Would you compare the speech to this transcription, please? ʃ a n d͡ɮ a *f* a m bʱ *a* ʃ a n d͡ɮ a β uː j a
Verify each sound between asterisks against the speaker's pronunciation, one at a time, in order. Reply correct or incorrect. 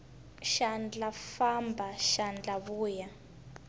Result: correct, correct

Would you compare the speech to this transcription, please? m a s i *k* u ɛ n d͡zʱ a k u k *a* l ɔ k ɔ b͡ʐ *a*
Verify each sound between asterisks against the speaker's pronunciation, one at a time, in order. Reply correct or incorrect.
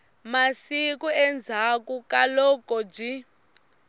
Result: correct, correct, incorrect

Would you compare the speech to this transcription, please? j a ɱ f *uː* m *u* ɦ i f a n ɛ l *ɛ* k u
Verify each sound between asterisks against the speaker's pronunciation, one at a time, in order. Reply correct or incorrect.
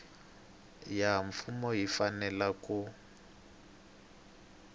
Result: incorrect, incorrect, incorrect

